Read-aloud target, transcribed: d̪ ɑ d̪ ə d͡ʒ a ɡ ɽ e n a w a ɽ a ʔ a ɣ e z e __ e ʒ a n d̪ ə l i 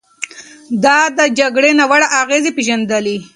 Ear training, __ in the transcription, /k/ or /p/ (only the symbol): p